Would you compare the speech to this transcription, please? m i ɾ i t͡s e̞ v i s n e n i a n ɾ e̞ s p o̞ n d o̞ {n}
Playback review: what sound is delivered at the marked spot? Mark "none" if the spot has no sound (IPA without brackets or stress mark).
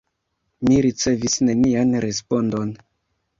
n